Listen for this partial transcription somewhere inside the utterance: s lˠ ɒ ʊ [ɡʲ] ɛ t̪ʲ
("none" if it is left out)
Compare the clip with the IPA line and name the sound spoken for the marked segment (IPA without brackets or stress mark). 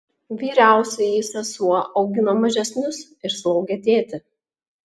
ɡʲ